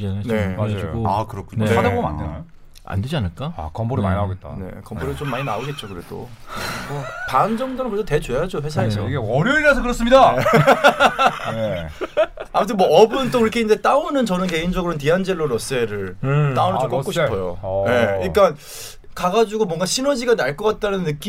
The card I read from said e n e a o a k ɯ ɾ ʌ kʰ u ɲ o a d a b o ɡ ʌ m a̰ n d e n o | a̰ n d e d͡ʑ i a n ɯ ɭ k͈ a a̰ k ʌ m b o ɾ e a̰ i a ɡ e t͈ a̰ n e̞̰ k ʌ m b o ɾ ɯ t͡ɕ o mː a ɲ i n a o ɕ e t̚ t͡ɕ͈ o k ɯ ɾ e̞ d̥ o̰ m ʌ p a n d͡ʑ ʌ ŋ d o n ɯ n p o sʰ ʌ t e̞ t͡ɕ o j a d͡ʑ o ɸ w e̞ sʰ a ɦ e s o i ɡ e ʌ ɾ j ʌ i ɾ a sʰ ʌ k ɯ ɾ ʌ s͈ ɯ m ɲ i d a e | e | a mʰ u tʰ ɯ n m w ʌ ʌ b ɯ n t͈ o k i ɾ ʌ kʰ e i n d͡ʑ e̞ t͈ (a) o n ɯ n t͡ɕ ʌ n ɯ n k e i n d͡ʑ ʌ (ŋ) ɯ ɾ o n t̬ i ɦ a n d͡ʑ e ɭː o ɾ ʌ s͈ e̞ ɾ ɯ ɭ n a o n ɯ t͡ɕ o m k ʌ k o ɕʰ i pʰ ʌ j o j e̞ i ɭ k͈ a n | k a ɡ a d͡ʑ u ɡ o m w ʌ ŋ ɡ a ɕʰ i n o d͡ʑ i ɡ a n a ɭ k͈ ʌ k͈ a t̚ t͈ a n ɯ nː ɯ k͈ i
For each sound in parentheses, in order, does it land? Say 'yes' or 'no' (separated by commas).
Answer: yes, no